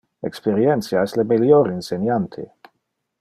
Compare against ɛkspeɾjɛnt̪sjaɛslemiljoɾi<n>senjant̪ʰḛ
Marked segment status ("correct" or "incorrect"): correct